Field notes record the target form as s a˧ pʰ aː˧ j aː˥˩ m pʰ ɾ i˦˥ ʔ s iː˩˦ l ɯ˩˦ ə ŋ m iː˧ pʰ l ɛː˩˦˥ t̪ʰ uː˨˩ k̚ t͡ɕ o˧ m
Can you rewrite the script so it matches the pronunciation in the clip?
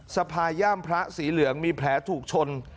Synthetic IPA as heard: s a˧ pʰ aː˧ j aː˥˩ m pʰ ɾ a˦˥ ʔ s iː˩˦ l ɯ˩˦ ə ŋ m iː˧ pʰ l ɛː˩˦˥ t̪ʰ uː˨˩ k̚ t͡ɕʰ o˧ n